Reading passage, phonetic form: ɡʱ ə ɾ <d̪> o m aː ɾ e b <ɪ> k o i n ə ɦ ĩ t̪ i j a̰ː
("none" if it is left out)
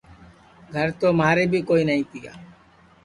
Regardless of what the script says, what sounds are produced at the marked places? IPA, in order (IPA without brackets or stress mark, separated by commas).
t̪, i